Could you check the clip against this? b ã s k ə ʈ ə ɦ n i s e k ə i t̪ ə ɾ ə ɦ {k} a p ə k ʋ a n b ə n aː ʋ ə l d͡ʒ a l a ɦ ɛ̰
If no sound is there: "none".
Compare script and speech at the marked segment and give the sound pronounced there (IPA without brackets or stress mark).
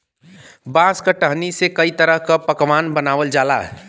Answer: k